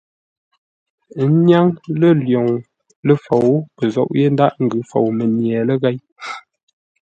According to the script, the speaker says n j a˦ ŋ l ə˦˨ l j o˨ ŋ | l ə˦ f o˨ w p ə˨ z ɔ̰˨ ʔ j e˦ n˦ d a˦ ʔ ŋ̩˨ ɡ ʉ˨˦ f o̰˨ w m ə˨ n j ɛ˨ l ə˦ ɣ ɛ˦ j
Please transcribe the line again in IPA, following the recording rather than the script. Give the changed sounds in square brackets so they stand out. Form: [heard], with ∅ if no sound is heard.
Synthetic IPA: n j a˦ ŋ l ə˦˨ l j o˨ ŋ | l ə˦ f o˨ w p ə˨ z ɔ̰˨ ʔ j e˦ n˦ d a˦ ʔ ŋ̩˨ ɡ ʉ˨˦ f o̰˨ w m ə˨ n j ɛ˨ l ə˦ ɣ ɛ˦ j